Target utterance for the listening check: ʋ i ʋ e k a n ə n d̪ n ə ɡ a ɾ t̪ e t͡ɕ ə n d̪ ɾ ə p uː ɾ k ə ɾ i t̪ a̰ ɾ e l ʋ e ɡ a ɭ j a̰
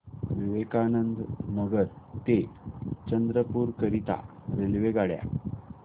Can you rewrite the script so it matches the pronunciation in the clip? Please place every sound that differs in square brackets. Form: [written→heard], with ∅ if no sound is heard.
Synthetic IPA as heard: ʋ i ʋ e k a n ə n d̪ n ə ɡ [a→ə] ɾ t̪ e t͡ɕ ə n d̪ ɾ ə p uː ɾ k ə ɾ i t̪ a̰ ɾ e l ʋ e ɡ a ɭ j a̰